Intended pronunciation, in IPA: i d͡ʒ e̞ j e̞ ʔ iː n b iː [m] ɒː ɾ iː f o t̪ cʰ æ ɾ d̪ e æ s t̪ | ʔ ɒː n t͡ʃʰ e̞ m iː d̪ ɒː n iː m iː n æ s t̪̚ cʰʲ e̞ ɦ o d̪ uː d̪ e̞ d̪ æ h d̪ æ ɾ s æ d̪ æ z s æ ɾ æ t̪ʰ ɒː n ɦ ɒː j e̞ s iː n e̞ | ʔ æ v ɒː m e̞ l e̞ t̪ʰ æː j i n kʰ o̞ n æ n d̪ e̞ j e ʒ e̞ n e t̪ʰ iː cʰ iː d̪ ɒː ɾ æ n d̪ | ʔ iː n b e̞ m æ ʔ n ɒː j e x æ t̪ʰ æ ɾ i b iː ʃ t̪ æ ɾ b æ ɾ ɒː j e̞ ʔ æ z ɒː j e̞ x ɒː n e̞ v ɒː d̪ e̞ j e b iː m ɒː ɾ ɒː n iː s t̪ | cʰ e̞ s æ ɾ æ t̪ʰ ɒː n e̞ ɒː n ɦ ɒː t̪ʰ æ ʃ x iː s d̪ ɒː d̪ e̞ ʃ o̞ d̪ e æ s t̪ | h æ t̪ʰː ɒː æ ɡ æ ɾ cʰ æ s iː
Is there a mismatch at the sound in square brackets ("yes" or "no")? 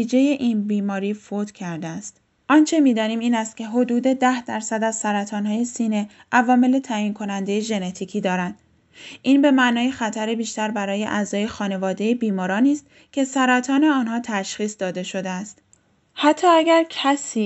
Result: no